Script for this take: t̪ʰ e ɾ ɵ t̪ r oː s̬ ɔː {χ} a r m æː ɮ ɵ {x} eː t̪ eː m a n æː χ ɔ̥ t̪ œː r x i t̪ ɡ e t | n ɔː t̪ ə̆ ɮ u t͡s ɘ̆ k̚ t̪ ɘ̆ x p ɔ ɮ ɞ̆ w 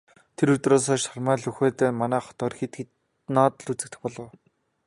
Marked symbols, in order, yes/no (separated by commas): no, yes